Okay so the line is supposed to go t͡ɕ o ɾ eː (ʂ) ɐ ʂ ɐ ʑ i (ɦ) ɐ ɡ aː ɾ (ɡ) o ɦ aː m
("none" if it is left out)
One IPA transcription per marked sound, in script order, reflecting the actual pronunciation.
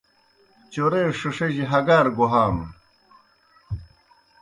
ʂ, ɦ, ɡ

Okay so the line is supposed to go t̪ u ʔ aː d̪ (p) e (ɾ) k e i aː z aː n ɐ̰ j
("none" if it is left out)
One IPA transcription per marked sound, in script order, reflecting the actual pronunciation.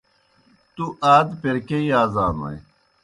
p, ɾ

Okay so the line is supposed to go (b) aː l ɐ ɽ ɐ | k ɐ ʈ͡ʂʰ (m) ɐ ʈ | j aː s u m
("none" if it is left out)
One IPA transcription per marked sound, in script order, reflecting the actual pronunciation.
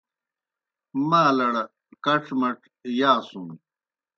m, m

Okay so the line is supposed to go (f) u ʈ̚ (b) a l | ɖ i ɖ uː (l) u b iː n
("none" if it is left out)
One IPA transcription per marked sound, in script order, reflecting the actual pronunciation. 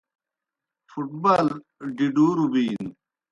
f, b, ɾ

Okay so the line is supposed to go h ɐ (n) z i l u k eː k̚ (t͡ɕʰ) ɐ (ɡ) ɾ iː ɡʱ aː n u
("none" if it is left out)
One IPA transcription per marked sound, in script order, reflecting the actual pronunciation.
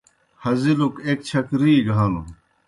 none, t͡ɕʰ, k

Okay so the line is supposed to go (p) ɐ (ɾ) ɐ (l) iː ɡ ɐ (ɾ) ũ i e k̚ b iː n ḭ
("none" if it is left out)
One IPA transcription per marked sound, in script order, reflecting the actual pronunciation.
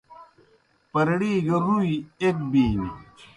p, ɾ, ɽ, ɾ

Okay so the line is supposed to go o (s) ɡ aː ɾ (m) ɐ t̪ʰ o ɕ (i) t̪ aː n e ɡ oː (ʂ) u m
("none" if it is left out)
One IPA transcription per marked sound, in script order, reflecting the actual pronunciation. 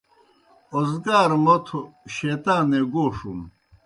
z, m, e, ʂ

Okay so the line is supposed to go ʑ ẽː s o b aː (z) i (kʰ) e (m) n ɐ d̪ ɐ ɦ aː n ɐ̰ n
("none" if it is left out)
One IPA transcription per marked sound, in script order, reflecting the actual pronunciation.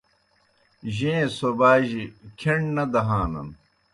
ʑ, kʰ, ɳ

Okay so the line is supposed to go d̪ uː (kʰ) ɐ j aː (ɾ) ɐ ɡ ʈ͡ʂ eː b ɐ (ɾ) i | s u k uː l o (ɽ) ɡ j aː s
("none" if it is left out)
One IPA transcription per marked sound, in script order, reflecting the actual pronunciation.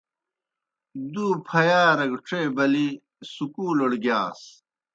pʰ, ɾ, l, ɽ

